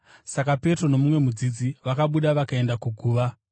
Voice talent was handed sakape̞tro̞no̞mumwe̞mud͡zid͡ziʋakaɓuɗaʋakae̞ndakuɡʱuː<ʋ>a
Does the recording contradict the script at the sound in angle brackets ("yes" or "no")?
no